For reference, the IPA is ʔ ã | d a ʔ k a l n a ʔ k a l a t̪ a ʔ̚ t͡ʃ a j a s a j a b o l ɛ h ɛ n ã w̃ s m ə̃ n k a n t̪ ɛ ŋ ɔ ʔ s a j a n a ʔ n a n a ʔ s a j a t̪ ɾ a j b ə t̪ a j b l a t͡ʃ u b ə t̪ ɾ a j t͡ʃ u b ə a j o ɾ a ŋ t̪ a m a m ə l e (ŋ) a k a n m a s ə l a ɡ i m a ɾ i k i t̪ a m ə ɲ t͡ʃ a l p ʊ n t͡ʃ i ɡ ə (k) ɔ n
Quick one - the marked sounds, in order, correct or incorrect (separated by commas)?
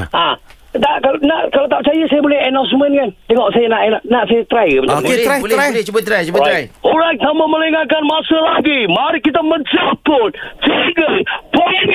correct, incorrect